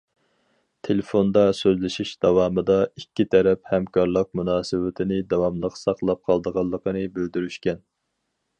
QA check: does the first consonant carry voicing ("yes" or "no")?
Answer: no